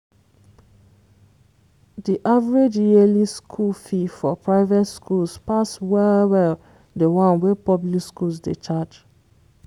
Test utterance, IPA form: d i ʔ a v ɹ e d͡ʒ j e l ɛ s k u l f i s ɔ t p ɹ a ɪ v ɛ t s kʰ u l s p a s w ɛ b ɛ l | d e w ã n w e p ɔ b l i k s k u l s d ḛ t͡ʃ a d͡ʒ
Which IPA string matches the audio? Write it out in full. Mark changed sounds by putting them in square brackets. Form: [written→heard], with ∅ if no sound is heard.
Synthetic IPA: d i ʔ a v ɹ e d͡ʒ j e l [ɛ→i] s [k→kʰ] u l f i [s→f] ɔ [t→∅] p ɹ a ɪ v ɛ t s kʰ u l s p a s w ɛ [b→w] ɛ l | d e w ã n w e p ɔ b l i k s k u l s d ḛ t͡ʃ a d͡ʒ